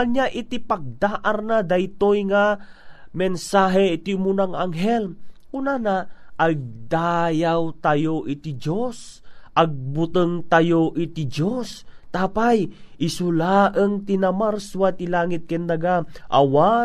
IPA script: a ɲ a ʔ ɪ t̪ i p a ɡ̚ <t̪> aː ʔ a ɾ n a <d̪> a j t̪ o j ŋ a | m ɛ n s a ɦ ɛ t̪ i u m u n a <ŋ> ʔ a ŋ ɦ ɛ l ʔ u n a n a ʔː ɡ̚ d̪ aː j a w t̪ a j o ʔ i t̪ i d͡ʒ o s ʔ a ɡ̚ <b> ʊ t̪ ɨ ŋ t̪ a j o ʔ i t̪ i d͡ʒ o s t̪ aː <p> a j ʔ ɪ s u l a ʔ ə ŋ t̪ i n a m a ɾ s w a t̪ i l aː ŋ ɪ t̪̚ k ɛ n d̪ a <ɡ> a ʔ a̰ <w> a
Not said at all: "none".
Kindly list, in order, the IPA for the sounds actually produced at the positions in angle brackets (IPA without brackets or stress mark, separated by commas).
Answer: d̪, d̪, ŋ, b, p, ɡ, w